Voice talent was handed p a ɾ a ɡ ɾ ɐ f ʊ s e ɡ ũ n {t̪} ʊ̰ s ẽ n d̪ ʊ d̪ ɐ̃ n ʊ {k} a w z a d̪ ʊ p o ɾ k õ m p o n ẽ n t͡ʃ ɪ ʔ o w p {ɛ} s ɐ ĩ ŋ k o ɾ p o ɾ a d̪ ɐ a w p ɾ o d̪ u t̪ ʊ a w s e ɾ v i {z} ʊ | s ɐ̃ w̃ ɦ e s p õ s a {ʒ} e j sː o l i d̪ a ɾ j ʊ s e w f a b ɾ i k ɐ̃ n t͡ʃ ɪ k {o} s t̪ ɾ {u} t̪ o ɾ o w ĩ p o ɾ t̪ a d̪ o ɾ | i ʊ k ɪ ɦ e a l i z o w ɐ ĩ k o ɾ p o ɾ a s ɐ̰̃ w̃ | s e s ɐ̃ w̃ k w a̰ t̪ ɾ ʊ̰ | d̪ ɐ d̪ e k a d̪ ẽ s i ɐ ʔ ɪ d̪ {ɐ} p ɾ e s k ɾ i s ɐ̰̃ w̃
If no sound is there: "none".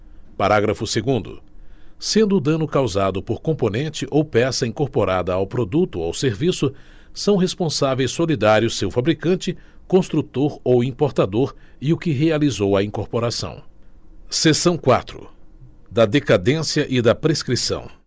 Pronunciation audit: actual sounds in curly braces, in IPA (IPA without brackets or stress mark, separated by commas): d̪, k, ɛ, s, v, õ, u, ɐ